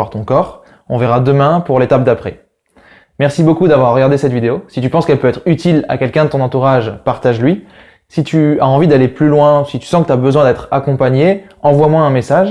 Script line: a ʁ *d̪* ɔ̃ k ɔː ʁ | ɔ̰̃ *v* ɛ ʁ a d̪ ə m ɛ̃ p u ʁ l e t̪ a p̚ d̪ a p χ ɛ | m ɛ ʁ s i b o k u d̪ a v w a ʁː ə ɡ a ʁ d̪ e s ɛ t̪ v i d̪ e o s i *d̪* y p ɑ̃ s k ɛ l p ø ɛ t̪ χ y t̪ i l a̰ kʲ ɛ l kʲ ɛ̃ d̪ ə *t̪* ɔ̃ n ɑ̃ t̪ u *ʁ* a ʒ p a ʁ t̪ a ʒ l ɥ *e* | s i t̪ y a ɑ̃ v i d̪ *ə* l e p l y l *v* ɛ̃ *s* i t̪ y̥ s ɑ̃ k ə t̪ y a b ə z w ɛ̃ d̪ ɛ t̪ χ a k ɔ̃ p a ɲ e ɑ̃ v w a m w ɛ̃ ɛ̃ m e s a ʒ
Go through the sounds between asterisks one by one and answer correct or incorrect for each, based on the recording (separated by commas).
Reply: incorrect, correct, incorrect, correct, correct, incorrect, incorrect, incorrect, correct